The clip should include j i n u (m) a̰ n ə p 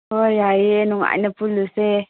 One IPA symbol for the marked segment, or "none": ŋ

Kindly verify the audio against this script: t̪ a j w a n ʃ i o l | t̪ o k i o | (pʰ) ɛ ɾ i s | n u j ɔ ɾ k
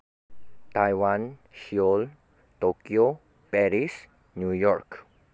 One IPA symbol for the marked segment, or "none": p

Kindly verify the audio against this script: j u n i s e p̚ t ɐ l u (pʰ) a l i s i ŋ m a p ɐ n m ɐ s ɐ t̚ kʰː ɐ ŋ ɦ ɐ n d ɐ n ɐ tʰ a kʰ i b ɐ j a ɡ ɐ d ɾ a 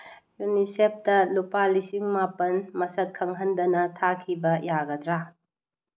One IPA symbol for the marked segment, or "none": p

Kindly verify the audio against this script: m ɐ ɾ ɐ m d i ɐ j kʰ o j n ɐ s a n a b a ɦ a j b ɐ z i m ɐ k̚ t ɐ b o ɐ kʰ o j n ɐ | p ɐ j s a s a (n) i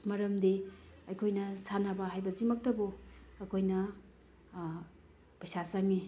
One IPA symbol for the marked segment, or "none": ŋ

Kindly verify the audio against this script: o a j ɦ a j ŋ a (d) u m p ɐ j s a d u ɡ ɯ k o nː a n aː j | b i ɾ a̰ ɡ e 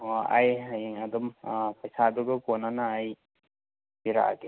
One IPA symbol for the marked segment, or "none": d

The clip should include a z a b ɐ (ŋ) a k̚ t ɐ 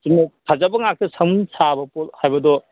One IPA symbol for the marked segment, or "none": ŋ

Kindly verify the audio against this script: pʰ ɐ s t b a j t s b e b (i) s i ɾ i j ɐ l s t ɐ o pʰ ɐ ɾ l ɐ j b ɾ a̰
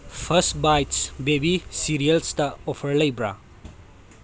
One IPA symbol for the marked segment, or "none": i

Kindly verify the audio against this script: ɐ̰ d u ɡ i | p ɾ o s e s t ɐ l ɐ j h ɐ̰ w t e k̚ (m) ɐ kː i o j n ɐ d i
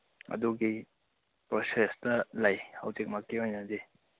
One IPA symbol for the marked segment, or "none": m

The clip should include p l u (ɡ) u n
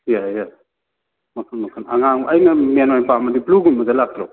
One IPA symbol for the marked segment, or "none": ɡ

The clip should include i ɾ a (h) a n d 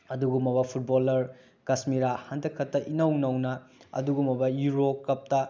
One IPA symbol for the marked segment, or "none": h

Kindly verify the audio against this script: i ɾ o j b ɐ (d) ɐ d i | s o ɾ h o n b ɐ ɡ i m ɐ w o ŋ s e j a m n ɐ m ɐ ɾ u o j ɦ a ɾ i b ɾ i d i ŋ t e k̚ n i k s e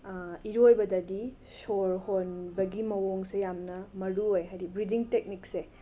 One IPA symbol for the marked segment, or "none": d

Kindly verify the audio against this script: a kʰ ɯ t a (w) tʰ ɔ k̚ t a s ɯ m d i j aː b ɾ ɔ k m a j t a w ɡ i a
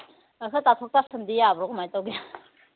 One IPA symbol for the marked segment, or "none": none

